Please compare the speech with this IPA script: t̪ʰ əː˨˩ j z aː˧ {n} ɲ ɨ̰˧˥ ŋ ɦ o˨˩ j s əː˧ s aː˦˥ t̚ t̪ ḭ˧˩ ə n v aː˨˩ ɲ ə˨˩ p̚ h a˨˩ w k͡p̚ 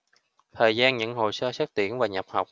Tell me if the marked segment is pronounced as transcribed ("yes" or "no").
yes